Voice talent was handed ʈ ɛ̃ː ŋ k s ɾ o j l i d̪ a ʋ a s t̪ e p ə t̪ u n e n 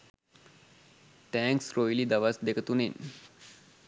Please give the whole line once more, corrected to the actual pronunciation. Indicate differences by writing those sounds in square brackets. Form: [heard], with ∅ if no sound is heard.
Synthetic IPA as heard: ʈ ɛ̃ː ŋ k s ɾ o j l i d̪ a ʋ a s [d̪] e [k] ə t̪ u n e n